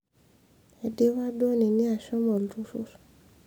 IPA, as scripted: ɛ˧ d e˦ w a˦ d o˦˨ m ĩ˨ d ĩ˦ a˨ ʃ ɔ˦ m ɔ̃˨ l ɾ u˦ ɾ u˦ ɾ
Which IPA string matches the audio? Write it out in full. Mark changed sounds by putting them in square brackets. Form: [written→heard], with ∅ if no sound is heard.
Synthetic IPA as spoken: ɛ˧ d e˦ w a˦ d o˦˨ [m→n] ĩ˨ [d→n] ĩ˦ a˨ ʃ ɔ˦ m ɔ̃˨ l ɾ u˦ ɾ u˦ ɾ